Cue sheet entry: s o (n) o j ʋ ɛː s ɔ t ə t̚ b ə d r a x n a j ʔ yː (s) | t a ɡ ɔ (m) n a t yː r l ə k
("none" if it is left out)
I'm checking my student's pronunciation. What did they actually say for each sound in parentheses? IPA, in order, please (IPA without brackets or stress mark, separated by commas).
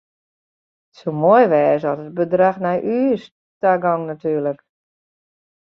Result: m, s, ŋ